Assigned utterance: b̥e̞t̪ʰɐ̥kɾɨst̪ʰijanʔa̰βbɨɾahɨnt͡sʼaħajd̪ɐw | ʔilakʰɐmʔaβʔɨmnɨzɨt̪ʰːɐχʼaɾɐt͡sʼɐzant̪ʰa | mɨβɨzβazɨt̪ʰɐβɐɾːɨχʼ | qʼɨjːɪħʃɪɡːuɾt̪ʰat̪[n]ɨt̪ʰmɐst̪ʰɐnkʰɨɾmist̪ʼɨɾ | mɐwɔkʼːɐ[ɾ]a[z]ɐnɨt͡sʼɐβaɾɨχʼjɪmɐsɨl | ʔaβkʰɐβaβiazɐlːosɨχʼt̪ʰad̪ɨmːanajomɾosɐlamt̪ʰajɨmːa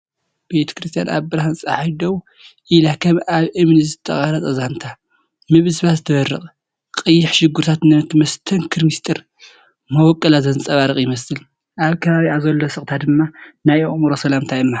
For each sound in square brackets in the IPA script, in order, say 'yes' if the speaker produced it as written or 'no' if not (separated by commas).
yes, no, yes